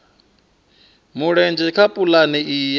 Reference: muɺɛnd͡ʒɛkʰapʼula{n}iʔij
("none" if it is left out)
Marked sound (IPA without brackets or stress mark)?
n